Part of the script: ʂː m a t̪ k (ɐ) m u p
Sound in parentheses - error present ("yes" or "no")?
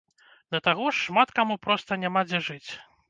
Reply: yes